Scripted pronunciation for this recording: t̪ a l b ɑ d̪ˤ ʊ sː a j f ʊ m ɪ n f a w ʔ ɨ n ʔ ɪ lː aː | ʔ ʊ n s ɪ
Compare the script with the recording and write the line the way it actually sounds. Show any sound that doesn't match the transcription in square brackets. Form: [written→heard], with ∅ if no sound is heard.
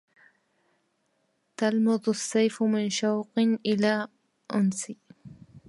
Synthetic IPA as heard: t̪ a l [b→m] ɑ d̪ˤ ʊ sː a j f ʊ m ɪ n [f→ʃ] a w [ʔ→q] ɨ n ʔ ɪ [lː→l] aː | ʔ ʊ n s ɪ